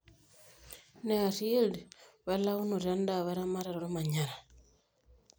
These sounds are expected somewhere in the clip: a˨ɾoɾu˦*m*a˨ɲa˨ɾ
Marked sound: correct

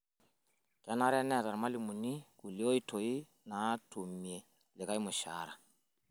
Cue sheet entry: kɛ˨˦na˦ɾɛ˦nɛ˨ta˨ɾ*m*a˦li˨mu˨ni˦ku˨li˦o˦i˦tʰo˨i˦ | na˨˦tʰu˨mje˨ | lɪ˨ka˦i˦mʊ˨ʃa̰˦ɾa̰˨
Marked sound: correct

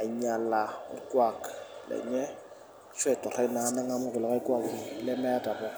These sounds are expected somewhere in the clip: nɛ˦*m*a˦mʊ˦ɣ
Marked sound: incorrect: ŋ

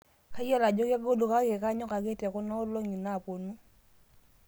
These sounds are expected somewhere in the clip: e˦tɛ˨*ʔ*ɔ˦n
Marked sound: incorrect: k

